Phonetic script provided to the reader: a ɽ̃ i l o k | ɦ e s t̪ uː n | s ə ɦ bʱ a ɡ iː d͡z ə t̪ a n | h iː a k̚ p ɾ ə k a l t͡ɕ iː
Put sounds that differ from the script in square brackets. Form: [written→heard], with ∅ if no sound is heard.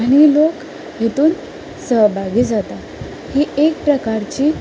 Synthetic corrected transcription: a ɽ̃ i l o k | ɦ e [s→∅] t̪ uː n | s ə ɦ bʱ a ɡ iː d͡z [ə→a] t̪ a [n→∅] | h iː [a→e] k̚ p ɾ ə k a [l→ɾ] t͡ɕ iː